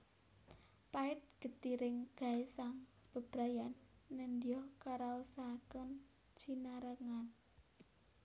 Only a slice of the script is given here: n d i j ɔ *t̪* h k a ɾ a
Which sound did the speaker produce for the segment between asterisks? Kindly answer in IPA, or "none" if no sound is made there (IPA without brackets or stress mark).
none